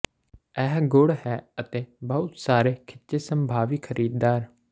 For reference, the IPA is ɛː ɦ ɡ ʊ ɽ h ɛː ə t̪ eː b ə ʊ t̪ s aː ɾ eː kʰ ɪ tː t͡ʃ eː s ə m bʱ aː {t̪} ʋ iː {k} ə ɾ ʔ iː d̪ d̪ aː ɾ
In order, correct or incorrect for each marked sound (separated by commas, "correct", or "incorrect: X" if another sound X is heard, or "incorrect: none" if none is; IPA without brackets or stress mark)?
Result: incorrect: none, incorrect: kʰ